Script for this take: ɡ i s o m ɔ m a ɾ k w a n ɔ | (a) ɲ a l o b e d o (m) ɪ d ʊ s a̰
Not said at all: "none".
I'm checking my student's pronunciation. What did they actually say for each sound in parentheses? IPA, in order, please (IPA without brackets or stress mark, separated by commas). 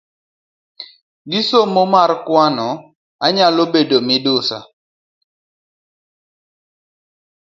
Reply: a, m